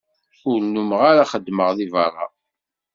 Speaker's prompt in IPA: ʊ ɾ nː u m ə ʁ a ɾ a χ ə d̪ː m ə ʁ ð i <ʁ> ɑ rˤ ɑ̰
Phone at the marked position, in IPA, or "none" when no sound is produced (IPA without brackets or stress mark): v